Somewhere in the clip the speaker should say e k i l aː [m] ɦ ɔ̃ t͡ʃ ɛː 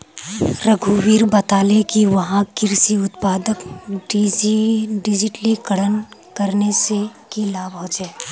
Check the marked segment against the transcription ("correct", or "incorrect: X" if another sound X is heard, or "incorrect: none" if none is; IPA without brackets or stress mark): incorrect: b